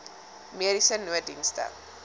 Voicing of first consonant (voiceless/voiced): voiced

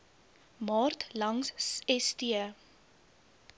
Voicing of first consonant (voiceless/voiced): voiced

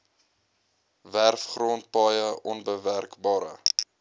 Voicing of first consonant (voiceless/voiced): voiced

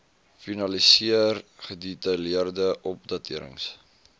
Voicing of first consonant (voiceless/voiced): voiceless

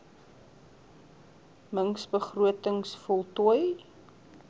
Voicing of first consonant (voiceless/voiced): voiced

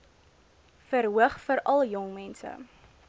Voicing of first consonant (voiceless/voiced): voiceless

